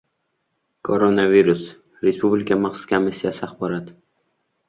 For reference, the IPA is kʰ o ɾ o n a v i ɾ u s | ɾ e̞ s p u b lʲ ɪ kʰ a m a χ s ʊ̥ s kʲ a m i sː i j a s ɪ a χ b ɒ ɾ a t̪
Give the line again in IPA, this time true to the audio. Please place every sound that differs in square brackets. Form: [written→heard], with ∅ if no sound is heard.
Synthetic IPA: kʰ o ɾ o n a v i ɾ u s | ɾ e̞ s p u b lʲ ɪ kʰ a m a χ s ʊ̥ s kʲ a m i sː i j a s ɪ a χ b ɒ ɾ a t̪